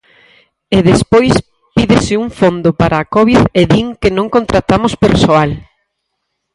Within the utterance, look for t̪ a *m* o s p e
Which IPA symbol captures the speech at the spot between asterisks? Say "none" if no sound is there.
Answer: m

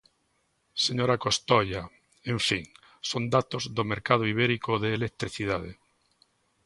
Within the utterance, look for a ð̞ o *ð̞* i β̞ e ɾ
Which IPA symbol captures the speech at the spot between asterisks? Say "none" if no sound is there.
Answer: none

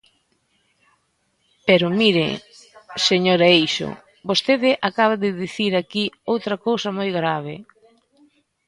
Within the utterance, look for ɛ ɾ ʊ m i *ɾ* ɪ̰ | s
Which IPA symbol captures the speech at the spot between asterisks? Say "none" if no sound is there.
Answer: ɾ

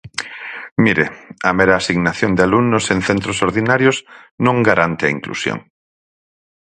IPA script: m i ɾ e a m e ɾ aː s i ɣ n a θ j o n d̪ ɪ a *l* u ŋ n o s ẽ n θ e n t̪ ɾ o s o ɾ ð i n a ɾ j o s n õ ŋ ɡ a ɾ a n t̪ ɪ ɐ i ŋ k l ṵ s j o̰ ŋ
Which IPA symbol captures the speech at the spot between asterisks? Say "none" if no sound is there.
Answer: l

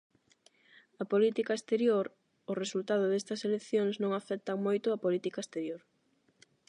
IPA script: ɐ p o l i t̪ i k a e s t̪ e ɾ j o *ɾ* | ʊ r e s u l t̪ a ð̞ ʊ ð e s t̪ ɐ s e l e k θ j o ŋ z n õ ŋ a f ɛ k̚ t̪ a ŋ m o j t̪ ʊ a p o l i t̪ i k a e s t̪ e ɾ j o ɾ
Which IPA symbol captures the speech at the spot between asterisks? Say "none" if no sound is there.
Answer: ɾ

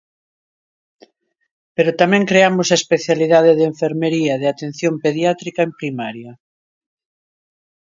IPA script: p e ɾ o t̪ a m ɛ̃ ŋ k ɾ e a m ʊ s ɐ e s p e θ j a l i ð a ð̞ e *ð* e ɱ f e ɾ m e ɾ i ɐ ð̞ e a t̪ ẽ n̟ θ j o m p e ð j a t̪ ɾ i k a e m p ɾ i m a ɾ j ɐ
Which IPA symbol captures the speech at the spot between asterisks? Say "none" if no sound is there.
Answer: ð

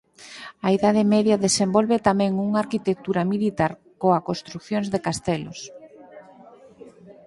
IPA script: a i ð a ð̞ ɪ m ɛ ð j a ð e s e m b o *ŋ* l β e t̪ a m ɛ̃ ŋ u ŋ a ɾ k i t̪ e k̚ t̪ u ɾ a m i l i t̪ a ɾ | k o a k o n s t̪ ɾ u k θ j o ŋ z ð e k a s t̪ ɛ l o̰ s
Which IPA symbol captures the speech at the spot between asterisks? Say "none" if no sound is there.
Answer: none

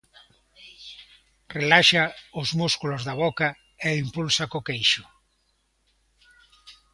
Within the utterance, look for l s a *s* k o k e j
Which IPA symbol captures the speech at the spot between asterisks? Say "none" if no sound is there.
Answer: none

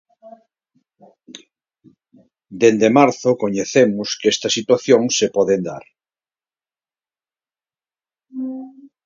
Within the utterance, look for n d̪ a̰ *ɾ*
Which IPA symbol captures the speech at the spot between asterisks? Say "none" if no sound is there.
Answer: ɾ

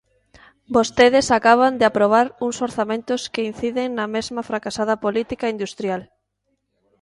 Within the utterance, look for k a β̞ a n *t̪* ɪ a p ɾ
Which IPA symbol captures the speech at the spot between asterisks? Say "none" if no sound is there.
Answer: d̪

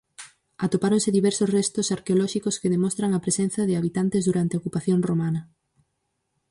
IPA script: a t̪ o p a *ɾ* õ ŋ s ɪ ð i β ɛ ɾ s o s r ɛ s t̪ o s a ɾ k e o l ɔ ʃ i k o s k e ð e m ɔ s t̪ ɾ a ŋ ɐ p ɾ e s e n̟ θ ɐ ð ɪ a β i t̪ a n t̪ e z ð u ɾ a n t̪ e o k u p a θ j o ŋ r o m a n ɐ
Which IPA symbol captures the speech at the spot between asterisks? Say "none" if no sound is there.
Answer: ɾ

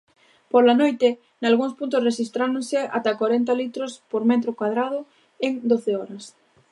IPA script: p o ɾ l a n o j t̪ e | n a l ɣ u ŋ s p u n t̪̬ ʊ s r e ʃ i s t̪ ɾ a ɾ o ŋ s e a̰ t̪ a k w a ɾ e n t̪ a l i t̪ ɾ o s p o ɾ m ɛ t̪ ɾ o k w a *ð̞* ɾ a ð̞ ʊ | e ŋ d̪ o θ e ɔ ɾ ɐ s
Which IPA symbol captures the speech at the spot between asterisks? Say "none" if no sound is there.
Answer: ð̞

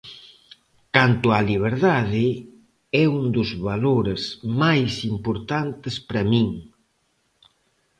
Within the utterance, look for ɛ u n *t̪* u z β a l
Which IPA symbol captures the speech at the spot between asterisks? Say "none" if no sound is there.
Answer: d̪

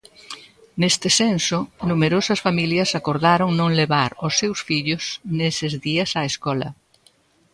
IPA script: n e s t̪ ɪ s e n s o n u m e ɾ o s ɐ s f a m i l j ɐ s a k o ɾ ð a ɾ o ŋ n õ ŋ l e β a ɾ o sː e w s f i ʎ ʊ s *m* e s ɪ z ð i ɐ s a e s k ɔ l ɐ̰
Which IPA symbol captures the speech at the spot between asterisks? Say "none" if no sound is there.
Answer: n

